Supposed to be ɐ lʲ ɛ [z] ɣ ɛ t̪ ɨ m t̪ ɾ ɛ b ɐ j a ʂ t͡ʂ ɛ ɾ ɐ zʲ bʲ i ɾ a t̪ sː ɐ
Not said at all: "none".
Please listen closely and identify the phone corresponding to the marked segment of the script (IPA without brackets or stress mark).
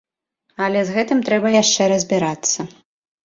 z